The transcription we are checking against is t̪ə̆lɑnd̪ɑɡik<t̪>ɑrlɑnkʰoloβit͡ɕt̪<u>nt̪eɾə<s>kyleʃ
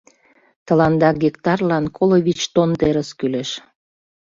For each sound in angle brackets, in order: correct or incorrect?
correct, incorrect: o, correct

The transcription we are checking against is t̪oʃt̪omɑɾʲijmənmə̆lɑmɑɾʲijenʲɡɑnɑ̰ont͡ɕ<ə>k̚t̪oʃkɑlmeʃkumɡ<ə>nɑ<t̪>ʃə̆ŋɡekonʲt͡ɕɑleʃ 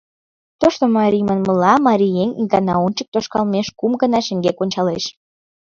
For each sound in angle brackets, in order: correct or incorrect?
correct, correct, incorrect: none

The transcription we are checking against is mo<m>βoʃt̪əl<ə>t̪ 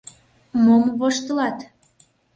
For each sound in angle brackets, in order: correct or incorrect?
correct, incorrect: ɑ

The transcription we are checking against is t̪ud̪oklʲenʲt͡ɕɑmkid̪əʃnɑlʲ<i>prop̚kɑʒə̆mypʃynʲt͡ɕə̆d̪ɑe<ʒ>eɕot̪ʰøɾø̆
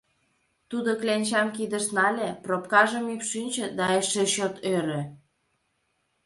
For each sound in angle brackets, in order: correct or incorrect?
incorrect: e, incorrect: ʃ

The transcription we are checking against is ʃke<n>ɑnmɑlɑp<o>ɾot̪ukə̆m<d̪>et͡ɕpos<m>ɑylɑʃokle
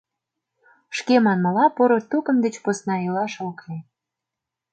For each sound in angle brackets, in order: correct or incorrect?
incorrect: m, correct, correct, incorrect: n

